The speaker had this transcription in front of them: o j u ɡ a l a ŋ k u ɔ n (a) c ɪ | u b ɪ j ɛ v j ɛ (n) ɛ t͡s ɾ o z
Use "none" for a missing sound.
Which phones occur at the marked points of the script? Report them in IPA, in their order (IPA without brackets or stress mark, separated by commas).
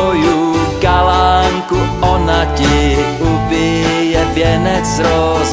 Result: a, n